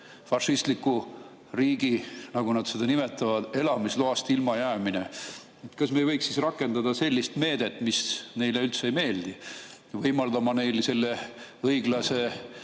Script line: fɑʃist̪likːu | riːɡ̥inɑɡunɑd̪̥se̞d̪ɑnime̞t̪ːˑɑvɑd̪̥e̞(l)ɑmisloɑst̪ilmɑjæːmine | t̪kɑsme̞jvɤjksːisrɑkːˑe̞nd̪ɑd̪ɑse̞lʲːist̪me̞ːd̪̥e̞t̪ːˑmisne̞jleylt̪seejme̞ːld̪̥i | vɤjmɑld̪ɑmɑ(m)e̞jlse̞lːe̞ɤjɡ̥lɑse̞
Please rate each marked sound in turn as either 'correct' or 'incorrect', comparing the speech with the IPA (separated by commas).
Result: correct, incorrect